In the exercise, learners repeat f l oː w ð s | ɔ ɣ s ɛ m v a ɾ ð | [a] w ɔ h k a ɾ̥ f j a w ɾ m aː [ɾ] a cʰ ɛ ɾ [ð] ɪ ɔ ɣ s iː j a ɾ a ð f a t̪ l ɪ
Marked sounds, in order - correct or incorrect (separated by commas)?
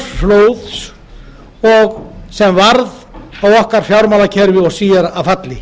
correct, incorrect, incorrect